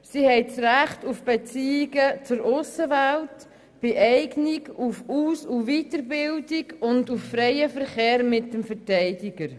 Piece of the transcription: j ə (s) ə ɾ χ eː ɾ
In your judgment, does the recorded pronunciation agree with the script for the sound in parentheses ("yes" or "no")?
no